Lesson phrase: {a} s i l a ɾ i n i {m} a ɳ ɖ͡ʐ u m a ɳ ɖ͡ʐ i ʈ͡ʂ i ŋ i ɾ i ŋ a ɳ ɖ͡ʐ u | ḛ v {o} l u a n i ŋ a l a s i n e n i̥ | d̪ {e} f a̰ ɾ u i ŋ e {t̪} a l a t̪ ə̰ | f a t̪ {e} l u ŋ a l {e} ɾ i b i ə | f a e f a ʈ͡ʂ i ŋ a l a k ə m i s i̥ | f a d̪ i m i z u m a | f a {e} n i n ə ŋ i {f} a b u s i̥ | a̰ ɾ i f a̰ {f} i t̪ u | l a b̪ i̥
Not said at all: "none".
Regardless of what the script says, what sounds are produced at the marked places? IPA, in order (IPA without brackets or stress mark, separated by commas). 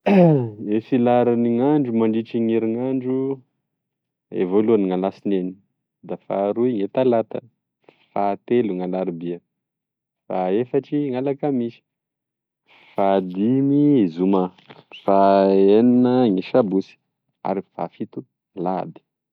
e, ŋ, o, a, t̪, e, a, e, ʃ, f